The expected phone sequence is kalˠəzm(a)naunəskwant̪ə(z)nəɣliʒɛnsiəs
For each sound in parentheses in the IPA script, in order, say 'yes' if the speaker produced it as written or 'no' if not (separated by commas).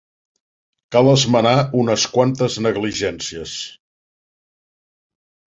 no, yes